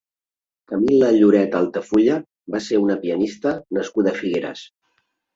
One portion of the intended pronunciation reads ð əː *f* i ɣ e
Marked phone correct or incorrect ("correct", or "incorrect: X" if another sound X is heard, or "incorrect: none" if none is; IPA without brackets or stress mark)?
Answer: correct